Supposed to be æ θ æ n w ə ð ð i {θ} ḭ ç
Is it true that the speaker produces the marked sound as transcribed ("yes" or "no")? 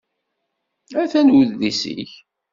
no